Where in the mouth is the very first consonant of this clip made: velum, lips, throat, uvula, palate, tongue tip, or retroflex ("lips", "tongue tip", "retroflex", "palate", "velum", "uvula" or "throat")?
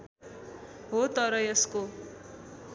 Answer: throat